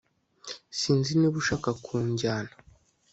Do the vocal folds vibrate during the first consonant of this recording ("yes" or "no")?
no